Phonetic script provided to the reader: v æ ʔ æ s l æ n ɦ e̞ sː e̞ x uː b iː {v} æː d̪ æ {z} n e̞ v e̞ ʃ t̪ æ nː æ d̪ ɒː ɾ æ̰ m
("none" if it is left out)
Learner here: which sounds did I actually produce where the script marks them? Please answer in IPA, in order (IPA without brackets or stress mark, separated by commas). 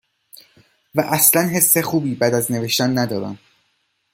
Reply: b, z